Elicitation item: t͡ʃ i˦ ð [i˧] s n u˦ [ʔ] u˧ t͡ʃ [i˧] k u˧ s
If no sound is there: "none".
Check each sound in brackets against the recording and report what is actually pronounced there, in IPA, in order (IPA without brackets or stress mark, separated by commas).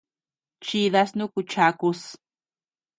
a˧, k, a˧